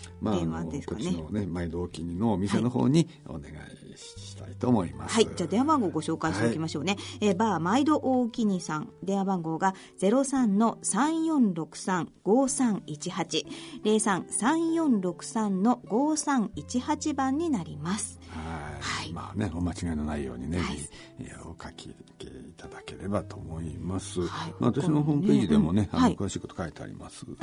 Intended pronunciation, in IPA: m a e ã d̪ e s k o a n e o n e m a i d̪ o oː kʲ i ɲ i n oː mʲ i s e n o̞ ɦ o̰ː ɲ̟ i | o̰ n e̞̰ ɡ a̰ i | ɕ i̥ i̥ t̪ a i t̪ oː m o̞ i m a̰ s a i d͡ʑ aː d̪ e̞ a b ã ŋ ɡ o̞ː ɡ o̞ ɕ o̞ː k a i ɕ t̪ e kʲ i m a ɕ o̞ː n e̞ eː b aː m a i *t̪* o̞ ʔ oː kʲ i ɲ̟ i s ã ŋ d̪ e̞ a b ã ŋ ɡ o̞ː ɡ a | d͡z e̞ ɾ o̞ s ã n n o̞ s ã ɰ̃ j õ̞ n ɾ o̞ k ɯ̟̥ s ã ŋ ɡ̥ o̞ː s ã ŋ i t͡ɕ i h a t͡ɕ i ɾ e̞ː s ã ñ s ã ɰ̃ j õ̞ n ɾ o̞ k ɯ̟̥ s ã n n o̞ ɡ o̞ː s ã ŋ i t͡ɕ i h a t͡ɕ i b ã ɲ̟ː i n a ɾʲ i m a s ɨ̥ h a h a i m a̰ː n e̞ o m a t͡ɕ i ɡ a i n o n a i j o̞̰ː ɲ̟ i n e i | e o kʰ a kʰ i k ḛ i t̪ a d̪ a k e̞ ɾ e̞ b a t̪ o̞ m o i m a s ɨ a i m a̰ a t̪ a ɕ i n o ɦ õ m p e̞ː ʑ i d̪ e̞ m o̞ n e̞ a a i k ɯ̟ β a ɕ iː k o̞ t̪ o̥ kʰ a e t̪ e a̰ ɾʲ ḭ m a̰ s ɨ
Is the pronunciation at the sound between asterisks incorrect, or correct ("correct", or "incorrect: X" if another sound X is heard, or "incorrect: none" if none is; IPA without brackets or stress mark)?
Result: incorrect: d̪